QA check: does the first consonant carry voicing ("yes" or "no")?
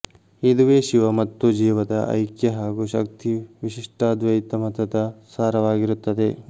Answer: yes